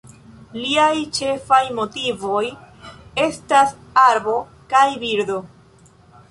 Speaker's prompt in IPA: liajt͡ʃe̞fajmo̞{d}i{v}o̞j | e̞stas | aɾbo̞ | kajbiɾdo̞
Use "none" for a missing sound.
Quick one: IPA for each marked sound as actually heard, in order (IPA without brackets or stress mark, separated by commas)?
t, v